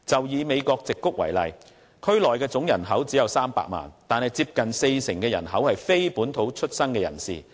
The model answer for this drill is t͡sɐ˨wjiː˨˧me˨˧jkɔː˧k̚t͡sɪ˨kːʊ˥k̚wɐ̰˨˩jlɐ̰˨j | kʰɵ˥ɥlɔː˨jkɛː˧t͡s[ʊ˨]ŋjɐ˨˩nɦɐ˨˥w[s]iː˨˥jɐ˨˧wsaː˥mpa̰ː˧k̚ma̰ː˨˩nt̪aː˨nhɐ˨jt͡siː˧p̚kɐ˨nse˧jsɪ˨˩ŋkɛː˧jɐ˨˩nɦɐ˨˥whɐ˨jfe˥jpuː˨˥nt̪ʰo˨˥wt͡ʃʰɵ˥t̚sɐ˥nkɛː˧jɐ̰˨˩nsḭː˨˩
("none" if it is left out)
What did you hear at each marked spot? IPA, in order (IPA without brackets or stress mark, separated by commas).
ʊ˨˥, t͡s